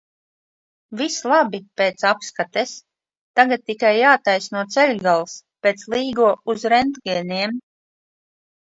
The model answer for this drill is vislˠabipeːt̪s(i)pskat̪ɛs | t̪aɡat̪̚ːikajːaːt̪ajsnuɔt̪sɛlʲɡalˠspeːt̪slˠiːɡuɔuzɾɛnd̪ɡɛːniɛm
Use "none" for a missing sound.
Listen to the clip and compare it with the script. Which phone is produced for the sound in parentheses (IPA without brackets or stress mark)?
a